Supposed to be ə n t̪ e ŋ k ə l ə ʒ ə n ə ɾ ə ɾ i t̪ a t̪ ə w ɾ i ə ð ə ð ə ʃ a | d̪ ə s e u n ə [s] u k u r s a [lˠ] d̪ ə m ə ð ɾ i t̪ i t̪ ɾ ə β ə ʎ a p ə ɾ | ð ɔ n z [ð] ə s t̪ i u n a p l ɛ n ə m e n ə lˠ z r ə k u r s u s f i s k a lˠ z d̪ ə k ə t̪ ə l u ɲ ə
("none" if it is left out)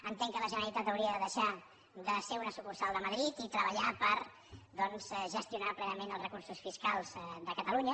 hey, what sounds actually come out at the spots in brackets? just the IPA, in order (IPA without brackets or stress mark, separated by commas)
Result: s, lˠ, ʒ